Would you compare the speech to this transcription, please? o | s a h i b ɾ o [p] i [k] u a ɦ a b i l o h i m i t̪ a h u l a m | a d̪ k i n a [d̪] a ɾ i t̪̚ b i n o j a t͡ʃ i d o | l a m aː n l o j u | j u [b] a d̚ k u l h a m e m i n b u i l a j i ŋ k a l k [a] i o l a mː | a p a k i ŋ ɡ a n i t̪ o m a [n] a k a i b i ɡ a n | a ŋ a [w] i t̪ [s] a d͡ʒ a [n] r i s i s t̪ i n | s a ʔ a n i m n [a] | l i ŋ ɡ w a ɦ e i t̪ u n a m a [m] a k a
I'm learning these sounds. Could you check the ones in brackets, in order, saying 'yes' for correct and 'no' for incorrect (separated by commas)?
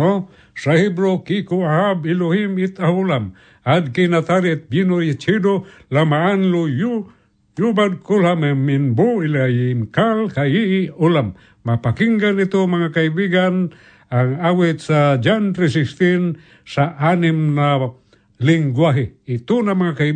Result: no, yes, no, yes, yes, no, yes, yes, yes, yes, no